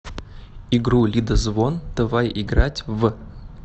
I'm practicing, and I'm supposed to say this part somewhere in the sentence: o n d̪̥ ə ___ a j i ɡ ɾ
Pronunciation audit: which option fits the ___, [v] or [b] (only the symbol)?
v